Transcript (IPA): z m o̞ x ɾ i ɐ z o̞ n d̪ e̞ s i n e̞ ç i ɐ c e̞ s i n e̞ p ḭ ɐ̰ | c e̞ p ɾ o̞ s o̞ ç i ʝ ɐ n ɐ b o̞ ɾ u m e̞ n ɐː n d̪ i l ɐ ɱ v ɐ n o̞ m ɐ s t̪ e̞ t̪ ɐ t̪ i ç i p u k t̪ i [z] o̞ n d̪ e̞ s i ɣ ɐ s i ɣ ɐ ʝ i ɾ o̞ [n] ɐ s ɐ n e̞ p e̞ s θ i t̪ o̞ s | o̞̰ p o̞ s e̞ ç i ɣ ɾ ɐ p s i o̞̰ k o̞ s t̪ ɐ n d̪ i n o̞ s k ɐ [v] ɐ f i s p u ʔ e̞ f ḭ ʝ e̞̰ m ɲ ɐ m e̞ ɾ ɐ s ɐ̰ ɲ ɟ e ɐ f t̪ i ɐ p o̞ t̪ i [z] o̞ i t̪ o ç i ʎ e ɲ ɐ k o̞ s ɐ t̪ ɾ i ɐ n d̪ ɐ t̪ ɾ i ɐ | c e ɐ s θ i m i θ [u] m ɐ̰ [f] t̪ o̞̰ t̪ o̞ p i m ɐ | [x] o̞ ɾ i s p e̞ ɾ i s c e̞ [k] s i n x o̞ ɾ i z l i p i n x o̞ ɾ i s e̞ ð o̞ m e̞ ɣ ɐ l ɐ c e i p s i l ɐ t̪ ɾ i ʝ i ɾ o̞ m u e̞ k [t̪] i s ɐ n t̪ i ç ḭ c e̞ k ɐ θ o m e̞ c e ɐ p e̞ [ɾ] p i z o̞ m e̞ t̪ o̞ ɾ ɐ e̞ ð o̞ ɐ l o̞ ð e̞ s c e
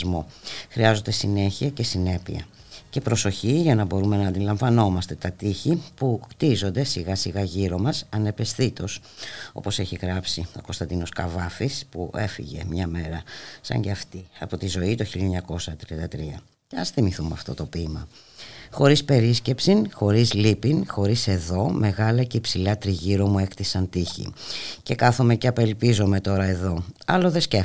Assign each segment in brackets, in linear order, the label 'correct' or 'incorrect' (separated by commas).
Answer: correct, incorrect, correct, correct, correct, correct, correct, incorrect, correct, incorrect